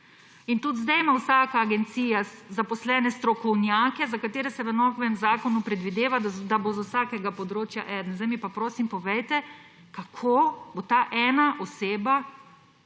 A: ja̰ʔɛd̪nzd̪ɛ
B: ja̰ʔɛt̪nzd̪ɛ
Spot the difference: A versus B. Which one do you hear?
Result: A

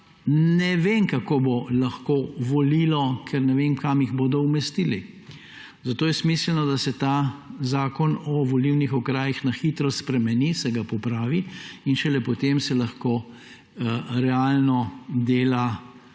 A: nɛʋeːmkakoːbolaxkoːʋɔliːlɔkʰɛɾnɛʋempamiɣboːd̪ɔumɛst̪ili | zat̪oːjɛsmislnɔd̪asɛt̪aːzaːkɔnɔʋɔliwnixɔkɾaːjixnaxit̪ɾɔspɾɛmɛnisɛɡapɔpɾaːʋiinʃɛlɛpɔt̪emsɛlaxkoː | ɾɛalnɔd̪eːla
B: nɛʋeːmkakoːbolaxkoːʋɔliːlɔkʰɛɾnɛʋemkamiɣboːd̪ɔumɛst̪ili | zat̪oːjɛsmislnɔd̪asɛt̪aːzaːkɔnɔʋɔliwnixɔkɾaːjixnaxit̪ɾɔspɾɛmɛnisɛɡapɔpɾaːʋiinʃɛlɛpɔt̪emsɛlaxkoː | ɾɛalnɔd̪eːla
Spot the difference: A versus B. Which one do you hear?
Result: B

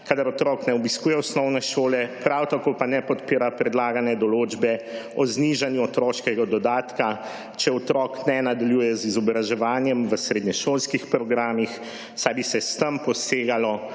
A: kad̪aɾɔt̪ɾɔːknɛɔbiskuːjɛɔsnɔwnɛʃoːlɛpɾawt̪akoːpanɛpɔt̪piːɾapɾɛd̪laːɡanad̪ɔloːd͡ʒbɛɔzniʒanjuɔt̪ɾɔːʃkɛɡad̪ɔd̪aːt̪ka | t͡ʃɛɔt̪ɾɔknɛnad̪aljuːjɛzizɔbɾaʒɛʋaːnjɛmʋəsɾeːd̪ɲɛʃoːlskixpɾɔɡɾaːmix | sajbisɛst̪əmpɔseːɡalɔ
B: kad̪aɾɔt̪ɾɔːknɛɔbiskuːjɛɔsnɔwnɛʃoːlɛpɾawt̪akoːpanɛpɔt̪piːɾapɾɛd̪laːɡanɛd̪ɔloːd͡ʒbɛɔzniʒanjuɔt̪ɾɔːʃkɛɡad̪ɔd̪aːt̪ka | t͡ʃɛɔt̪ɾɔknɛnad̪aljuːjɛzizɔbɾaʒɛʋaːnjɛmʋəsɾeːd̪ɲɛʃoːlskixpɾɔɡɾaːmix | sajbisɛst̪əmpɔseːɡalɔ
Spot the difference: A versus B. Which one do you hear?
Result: B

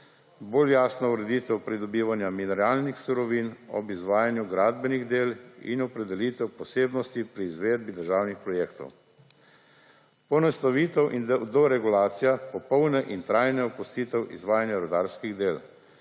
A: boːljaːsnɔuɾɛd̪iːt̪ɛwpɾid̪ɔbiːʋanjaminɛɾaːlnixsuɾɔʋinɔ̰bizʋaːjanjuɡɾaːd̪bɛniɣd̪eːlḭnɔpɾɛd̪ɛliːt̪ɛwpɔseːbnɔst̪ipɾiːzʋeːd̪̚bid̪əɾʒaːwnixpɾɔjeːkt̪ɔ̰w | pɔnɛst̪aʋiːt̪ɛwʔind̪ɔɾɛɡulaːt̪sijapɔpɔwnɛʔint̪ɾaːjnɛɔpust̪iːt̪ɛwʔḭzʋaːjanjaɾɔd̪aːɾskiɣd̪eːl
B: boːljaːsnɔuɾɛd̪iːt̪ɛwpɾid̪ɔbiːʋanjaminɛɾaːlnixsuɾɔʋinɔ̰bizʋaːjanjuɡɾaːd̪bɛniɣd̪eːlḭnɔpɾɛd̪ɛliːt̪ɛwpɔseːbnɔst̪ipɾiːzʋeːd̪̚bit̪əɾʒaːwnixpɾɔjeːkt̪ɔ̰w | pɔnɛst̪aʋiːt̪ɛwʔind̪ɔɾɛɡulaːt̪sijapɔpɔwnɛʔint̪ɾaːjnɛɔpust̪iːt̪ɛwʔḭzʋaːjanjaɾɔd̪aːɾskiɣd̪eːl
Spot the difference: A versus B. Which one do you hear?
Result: A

